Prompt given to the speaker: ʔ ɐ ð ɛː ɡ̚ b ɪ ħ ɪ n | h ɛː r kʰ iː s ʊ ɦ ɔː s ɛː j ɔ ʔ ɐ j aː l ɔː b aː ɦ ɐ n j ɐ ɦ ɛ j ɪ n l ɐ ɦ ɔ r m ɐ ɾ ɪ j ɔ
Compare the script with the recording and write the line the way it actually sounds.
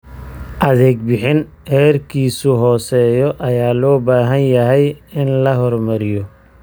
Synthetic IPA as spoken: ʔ ɐ ð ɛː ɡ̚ b ɪ ħ ɪ n | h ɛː r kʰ iː s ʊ ɦ ɔː s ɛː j ɔ ʔ ɐ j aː l ɔː b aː ɦ ɐ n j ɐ ɦ ɛ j ɪ n l ɐ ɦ ɔ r m ɐ ɾ ɪ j ɔ